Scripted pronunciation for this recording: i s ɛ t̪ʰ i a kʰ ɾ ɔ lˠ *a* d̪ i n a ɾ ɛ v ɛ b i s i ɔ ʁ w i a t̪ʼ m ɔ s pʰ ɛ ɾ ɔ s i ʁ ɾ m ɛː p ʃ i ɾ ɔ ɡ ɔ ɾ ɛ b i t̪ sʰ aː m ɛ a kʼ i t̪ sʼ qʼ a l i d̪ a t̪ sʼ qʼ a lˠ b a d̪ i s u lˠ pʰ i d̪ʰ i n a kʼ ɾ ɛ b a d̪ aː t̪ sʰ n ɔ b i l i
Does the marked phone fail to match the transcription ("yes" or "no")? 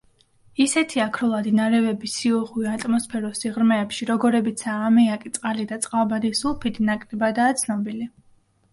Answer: no